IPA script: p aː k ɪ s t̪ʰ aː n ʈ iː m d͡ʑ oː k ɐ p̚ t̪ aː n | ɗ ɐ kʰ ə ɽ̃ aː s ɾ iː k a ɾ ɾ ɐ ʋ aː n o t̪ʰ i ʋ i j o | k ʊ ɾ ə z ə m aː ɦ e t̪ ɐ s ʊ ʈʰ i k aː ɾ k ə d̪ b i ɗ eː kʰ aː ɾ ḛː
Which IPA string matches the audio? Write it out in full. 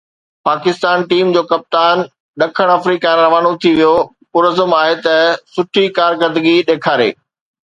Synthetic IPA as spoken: p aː k ɪ s t̪ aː n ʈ iː m d͡ʑ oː k ɐ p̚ t̪ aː n | ɗ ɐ kʰ ə ɽ̃ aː f ɾ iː k a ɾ ɾ ɐ ʋ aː n o t̪ʰ i ʋ i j o | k ʊ ɾ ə z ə m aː ɦ e t̪ ɐ s ʊ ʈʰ i k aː ɾ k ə d̪ ɡ i ɗ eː kʰ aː ɾ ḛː